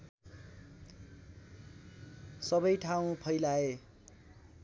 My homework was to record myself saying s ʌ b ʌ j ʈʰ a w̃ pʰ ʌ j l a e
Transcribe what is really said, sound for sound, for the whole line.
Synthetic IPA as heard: s ʌ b ʌ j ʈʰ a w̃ pʰ ʌ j l a e

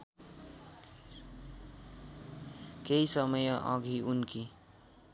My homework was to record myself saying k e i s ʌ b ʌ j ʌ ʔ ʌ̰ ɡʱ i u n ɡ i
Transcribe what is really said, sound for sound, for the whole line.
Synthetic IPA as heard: k e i s ʌ m ʌ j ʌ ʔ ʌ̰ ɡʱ i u n k i

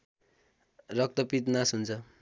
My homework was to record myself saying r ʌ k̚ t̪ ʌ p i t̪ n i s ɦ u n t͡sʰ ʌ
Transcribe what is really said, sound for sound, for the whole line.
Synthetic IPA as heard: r ʌ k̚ t̪ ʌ p i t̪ n a s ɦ u n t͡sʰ ʌ

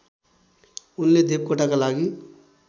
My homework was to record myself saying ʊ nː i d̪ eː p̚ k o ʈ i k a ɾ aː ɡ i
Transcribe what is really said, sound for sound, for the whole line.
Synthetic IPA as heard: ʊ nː e d̪ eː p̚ k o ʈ a k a l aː ɡ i

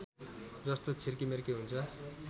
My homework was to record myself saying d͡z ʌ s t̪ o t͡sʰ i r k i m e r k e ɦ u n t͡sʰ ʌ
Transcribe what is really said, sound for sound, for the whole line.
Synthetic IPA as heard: d͡z ʌ s t̪ o t͡sʰ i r k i m e r k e ɦ u n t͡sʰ ʌ

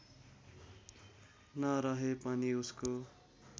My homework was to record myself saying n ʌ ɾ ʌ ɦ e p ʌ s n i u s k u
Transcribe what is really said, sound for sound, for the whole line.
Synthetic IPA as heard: n ʌ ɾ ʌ ɦ e p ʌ n i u s k o

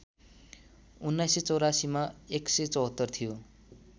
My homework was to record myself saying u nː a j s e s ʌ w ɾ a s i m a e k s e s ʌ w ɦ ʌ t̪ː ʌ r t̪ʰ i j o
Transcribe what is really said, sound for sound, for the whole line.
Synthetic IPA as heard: u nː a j s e t͡s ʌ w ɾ a s i m a e k s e t͡s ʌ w ɦ ʌ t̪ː ʌ r t̪ʰ i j o

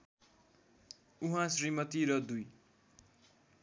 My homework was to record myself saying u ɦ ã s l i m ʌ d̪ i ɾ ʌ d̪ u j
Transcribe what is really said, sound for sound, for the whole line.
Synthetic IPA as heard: u ɦ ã s r i m ʌ t̪ i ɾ ʌ d̪ u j

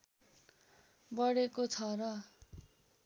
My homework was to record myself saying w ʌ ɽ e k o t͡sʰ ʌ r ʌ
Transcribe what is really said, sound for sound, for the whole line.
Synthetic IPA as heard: b ʌ ɽ e k o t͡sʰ ʌ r ʌ

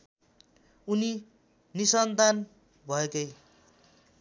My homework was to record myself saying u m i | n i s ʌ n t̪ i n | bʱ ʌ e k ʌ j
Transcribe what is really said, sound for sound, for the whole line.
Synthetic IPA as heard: u n i | n i s ʌ n t̪ a n | bʱ ʌ e k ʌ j

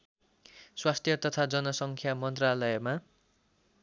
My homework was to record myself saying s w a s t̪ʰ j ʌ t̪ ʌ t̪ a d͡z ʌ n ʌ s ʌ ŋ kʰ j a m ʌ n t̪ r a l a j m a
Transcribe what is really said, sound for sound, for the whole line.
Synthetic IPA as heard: s w a s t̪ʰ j ʌ t̪ ʌ t̪ʰ a d͡z ʌ n ʌ s ʌ ŋ kʰ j a m ʌ n t̪ r a l ʌ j m a

